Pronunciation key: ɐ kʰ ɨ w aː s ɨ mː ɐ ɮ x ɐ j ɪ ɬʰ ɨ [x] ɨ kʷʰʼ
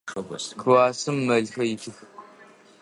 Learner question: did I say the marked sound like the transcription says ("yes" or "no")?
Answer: yes